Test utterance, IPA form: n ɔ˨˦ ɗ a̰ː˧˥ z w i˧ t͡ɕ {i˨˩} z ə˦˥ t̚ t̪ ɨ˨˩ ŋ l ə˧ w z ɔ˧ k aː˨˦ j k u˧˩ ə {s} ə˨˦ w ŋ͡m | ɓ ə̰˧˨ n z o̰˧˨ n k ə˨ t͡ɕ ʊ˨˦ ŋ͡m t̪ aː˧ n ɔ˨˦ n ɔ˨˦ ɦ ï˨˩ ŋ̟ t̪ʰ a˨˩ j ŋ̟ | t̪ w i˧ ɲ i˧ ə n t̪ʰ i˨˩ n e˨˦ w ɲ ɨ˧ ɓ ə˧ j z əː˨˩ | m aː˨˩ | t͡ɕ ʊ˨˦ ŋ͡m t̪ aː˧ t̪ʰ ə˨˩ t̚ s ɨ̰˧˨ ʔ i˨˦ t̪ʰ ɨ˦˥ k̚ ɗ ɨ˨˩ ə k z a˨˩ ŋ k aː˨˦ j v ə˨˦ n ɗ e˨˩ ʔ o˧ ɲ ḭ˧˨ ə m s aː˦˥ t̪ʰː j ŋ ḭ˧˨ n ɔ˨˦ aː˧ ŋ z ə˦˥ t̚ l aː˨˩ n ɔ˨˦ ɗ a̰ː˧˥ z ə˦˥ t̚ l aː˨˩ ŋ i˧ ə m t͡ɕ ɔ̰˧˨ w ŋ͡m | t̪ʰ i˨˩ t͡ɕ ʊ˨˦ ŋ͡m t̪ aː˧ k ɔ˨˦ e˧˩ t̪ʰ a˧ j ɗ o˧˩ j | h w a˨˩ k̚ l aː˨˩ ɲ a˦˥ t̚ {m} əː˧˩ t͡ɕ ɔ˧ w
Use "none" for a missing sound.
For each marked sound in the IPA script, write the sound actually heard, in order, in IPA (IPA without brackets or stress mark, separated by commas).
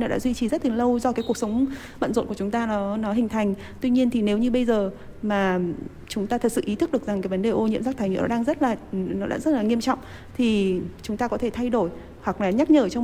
i˨˩, s, ɲ